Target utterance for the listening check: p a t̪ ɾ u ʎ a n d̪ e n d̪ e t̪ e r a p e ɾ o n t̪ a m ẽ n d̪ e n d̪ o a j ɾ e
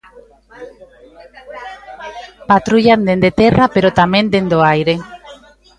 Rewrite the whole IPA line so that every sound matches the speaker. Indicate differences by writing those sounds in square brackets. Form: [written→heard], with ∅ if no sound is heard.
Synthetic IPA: p a t̪ ɾ u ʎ a n d̪ e n d̪ e t̪ e r a p e ɾ o [n→∅] t̪ a m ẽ n d̪ e n d̪ o a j ɾ e